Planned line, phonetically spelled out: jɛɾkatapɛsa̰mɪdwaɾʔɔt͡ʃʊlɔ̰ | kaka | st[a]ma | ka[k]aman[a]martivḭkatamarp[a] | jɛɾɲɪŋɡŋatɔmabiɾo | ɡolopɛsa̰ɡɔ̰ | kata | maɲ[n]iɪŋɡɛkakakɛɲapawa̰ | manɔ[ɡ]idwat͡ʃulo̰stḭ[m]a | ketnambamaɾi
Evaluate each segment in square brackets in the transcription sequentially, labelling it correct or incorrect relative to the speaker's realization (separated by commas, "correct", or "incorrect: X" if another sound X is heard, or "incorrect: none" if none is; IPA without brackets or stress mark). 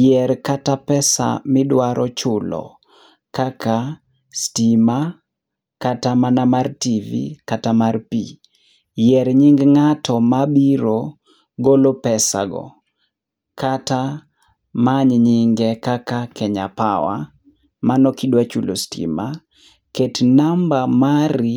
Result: incorrect: i, incorrect: t, correct, incorrect: i, incorrect: ɲ, incorrect: k, correct